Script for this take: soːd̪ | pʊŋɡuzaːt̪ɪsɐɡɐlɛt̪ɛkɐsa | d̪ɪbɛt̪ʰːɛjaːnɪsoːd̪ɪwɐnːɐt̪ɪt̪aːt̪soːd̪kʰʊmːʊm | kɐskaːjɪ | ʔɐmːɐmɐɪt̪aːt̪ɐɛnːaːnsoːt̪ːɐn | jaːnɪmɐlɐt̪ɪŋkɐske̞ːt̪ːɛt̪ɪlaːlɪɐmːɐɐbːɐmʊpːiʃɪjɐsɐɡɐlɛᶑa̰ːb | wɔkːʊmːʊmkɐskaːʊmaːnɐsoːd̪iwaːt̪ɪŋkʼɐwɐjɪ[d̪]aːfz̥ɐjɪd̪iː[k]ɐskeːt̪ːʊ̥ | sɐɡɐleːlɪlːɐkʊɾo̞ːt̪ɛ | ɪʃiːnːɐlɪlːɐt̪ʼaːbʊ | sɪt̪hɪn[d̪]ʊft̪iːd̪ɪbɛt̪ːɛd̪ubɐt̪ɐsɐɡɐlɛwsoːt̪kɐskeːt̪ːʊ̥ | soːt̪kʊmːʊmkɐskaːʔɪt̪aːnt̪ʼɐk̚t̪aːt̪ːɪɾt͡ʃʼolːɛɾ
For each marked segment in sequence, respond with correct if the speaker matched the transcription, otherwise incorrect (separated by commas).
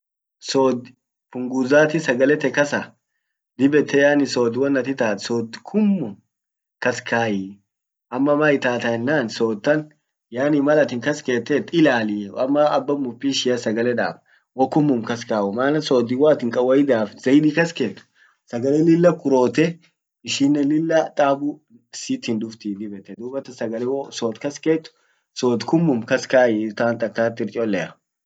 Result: correct, correct, correct